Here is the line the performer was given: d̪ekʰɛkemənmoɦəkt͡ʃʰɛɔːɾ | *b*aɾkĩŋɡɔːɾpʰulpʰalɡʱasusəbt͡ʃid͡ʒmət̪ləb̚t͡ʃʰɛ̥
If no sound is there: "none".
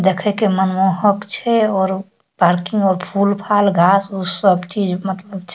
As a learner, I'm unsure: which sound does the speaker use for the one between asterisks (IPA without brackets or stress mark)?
p